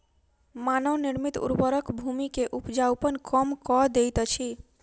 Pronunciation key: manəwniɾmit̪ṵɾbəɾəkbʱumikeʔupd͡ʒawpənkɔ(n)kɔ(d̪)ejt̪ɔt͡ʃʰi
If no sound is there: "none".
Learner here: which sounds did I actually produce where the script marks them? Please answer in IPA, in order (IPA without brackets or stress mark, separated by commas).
m, d̪